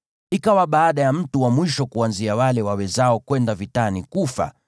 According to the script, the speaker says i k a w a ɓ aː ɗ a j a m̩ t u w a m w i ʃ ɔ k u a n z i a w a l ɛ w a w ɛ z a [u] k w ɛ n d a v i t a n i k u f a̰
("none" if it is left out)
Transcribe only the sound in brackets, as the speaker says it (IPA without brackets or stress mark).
ɔ